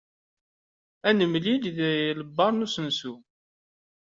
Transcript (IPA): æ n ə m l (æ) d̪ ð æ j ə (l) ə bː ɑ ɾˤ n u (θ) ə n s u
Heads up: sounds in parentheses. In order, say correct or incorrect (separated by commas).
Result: incorrect, correct, incorrect